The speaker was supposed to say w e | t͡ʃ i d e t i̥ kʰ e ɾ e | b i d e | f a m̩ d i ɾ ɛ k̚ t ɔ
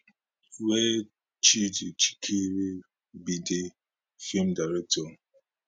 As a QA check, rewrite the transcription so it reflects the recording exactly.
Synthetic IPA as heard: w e | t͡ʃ i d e t͡ʃ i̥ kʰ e ɾ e | b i d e | f i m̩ d a ɾ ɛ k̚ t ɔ